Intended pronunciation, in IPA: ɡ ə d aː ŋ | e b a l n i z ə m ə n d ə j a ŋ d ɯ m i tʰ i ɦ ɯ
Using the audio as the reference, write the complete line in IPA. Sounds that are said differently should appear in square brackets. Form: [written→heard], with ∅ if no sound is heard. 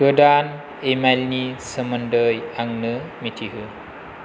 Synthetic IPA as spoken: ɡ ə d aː [ŋ→n] | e [b→m] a l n i [z→s] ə m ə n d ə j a ŋ [d→n] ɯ m i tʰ i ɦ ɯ